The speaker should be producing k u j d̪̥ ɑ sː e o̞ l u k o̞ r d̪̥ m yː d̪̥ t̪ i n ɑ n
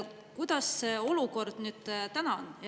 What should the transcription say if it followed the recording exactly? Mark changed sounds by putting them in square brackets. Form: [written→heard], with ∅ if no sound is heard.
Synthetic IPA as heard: k u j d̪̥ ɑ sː e o̞ l u k o̞ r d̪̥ [m→n] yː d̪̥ t̪ [i→æ] n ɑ n